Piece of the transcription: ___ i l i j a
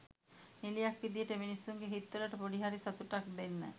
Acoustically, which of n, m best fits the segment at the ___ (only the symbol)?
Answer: n